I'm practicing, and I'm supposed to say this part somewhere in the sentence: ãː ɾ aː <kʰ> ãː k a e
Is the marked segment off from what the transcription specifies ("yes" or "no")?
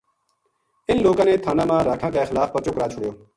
no